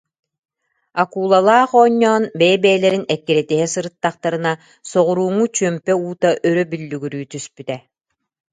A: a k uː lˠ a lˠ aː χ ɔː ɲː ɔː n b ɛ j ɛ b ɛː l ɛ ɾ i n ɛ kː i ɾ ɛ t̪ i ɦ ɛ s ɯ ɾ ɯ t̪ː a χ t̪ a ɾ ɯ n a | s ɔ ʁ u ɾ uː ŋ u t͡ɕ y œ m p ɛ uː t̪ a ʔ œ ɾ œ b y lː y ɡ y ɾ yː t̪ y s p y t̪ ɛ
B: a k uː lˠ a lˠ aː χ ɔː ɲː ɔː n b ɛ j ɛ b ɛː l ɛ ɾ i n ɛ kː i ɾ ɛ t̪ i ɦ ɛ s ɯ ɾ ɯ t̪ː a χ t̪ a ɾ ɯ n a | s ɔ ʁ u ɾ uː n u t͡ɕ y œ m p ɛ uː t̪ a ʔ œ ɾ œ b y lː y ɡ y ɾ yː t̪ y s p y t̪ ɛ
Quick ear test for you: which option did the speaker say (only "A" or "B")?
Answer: A